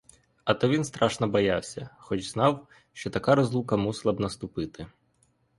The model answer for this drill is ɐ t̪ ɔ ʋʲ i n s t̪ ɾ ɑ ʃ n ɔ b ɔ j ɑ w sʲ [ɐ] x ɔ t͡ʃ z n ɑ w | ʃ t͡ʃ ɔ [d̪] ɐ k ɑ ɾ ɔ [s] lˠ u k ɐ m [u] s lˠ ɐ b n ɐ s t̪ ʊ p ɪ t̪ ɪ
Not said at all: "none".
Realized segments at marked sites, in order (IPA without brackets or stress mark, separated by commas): ɐ, t̪, z, u